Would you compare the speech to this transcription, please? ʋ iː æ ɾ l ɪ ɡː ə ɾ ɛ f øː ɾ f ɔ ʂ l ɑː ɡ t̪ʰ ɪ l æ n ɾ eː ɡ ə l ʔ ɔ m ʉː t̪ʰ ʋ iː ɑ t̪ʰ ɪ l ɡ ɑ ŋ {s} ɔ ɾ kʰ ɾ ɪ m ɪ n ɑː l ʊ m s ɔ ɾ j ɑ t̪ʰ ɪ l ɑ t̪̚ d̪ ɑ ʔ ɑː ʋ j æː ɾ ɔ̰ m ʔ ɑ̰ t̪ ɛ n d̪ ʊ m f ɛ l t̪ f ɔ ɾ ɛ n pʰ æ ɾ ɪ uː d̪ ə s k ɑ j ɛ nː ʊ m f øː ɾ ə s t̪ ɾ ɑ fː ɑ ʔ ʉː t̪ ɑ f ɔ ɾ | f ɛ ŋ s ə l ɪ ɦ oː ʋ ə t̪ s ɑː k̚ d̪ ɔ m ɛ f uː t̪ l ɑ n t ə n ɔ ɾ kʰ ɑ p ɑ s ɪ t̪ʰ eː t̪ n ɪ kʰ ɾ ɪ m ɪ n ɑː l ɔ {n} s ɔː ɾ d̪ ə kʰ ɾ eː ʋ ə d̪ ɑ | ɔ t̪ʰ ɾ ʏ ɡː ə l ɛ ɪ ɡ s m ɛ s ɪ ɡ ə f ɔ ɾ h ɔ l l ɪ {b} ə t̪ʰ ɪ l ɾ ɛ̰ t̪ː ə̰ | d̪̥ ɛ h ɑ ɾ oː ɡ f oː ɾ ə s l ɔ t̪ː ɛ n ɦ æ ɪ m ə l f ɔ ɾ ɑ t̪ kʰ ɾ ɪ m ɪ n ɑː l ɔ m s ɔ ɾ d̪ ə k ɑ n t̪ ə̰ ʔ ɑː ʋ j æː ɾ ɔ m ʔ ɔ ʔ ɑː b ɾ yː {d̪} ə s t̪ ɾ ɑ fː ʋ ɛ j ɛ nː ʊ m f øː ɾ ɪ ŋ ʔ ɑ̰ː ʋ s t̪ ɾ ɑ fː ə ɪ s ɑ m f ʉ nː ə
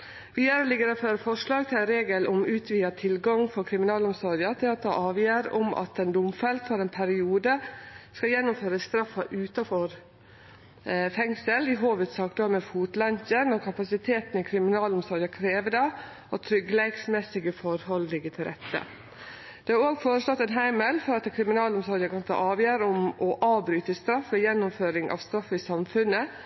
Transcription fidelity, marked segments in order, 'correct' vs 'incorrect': incorrect: f, incorrect: m, incorrect: ɡ, incorrect: t̪

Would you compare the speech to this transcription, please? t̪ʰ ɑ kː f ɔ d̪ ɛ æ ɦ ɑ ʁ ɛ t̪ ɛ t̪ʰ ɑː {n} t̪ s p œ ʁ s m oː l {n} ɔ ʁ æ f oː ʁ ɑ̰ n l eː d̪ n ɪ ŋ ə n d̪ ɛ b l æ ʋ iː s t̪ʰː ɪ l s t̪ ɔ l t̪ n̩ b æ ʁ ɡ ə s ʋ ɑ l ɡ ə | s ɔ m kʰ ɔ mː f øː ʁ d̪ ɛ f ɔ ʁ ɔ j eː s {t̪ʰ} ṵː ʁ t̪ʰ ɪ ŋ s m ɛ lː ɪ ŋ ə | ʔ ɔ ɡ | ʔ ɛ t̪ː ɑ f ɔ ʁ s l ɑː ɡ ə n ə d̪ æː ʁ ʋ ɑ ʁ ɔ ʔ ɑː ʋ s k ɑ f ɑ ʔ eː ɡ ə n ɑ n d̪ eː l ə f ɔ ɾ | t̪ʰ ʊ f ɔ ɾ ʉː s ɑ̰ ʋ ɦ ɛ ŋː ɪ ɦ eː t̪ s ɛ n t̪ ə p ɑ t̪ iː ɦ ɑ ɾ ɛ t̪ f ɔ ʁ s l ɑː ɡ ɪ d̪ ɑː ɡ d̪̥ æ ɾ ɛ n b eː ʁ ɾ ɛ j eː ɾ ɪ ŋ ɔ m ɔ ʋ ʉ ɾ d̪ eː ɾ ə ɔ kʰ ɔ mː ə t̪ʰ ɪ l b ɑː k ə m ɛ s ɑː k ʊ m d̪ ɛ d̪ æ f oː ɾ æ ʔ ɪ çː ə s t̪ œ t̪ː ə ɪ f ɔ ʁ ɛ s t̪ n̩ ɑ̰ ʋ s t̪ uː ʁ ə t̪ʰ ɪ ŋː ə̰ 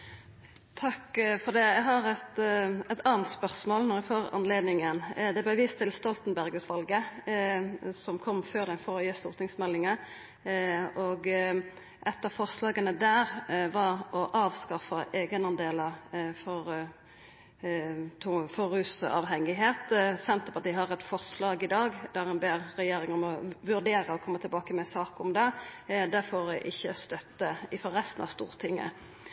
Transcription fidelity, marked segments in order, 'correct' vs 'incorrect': correct, correct, incorrect: t̪

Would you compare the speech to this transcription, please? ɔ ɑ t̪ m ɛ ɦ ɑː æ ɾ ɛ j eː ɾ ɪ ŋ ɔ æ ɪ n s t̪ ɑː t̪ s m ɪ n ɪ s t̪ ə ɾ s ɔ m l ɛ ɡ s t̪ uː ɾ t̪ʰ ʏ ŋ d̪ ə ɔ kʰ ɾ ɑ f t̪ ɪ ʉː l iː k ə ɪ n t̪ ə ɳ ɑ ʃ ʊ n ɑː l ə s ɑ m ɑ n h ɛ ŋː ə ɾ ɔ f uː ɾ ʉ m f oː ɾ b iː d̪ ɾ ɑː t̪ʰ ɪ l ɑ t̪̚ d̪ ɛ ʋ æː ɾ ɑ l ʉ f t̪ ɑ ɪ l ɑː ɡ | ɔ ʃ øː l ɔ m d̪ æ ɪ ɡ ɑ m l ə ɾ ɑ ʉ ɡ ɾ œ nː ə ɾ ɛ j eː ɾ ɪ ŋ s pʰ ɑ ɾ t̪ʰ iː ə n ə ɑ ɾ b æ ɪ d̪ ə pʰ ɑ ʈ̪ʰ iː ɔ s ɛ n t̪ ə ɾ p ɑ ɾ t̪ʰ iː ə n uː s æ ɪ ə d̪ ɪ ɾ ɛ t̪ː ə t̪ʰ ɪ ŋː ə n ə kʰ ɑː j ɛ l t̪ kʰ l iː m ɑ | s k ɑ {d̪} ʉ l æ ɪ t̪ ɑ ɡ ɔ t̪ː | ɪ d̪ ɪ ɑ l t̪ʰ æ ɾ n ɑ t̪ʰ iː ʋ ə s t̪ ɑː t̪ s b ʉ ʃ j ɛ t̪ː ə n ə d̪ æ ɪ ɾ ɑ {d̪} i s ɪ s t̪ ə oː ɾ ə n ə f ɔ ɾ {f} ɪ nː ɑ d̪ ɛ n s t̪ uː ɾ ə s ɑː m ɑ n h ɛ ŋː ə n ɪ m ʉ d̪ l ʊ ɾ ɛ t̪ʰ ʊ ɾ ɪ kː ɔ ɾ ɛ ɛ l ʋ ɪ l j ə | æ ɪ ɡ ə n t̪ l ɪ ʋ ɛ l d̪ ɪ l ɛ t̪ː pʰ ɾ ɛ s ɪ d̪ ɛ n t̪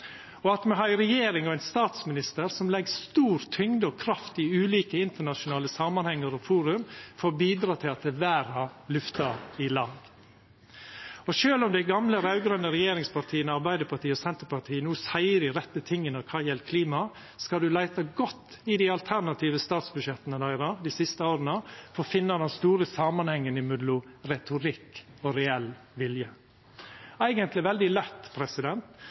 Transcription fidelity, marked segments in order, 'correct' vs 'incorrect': correct, correct, correct

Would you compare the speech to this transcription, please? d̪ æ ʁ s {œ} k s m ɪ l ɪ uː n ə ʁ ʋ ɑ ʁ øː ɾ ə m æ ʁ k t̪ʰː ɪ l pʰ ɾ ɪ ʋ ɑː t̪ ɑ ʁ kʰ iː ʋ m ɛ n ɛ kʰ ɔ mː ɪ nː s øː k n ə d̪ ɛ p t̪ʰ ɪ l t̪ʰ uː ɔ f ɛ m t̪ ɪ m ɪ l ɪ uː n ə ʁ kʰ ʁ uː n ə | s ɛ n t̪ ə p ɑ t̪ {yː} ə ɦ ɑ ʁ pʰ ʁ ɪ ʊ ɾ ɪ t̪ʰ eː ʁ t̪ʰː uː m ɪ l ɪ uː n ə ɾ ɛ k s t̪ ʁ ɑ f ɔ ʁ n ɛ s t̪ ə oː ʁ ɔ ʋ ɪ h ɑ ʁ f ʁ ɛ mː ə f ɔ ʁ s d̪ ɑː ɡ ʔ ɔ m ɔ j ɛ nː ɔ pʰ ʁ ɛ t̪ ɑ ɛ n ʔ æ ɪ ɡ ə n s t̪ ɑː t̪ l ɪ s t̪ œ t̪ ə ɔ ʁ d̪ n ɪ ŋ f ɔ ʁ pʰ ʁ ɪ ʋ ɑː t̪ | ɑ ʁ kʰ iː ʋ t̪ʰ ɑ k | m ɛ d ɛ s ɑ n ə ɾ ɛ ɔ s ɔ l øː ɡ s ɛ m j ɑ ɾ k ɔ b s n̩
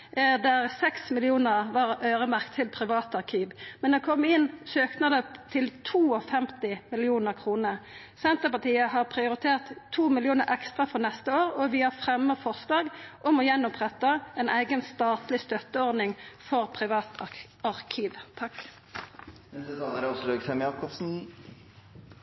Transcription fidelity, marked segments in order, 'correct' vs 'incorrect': incorrect: ɛ, incorrect: iː

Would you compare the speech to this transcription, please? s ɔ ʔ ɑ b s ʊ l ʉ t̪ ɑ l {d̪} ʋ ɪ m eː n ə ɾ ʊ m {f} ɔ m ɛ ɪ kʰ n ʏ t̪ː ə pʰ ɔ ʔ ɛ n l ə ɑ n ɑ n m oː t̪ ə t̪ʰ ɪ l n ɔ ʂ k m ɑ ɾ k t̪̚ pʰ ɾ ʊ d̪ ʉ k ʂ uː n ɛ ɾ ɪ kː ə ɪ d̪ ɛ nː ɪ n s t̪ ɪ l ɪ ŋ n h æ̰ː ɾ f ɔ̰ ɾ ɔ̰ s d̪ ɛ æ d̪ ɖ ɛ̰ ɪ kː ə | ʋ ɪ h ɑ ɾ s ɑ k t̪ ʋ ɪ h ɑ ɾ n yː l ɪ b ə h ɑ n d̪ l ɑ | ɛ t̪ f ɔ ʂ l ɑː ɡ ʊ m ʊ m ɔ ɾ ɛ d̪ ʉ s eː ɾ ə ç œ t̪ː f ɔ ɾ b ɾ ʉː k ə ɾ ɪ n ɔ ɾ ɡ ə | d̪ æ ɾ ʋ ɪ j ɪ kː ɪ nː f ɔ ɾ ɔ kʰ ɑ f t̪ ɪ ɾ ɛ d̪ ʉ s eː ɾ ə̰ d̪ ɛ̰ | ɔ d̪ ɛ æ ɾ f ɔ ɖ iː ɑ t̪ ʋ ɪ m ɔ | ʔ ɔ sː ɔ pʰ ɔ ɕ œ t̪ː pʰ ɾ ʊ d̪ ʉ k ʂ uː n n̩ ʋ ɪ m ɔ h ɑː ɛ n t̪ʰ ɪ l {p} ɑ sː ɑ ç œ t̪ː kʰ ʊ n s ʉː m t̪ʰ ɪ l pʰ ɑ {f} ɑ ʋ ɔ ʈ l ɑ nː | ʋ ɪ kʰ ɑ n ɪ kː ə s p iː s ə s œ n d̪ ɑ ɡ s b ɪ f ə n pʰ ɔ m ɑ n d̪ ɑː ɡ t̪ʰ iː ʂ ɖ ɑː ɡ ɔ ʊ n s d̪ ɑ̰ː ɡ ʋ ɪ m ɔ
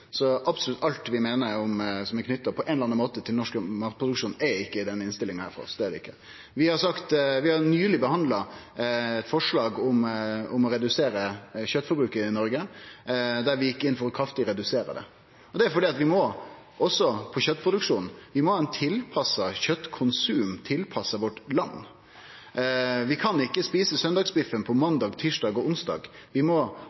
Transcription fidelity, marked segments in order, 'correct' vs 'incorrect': incorrect: t̪, incorrect: s, incorrect: pʰ, incorrect: s

